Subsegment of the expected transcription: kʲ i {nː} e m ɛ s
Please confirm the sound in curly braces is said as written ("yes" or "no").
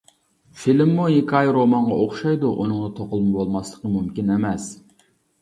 no